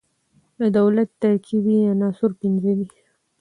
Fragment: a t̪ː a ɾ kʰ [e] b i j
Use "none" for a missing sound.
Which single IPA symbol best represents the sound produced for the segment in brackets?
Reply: i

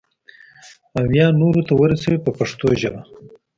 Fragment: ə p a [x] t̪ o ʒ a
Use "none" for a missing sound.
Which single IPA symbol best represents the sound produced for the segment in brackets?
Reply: ʂ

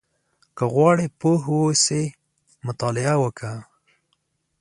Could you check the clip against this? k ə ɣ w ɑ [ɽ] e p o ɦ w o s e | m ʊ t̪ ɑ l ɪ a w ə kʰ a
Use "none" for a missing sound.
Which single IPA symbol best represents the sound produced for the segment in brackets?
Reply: ɽ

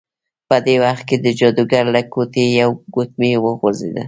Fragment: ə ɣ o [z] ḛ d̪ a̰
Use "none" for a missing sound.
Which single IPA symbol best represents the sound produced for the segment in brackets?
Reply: z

